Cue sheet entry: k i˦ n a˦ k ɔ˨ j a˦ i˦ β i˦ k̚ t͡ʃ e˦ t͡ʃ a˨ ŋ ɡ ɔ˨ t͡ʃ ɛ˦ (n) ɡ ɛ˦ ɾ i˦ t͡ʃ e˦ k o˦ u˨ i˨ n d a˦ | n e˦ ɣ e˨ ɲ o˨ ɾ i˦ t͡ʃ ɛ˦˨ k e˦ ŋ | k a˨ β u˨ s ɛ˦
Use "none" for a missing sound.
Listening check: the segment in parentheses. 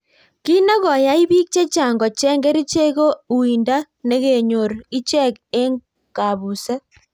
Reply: ŋ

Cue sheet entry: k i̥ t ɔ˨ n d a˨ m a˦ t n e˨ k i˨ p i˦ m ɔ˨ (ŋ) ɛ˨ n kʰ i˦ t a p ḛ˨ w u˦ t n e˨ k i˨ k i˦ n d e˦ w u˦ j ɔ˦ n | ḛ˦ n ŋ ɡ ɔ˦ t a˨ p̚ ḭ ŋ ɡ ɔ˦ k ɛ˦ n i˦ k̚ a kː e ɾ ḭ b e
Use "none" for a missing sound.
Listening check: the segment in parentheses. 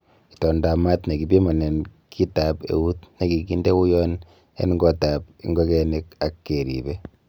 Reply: n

